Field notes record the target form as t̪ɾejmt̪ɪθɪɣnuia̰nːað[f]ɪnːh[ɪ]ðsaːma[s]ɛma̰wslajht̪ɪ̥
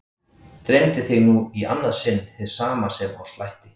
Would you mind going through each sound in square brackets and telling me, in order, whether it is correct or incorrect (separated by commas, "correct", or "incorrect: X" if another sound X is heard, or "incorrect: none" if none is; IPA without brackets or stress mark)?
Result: incorrect: s, correct, correct